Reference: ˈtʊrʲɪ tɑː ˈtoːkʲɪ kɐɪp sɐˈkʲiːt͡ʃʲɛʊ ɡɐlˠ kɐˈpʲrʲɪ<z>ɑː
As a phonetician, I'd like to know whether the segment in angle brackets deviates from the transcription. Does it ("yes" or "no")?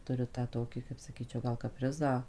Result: no